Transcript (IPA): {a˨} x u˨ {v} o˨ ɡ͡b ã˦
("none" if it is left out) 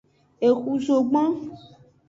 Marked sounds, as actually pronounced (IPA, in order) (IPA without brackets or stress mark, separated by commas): e˨, z